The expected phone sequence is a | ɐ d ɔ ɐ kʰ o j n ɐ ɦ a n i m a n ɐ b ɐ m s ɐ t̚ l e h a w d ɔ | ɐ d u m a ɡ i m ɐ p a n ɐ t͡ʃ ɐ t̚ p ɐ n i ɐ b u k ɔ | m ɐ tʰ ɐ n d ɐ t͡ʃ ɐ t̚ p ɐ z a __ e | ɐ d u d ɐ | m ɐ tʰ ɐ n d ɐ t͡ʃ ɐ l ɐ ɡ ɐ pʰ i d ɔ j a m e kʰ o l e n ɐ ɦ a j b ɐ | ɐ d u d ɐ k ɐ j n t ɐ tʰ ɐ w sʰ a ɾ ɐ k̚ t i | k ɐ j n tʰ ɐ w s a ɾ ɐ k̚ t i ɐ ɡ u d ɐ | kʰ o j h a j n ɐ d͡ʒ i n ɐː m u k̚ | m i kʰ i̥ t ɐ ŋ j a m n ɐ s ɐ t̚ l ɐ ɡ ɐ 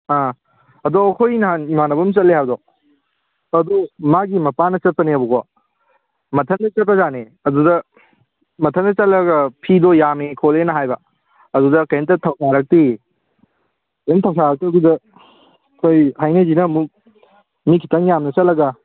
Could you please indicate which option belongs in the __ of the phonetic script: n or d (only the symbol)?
n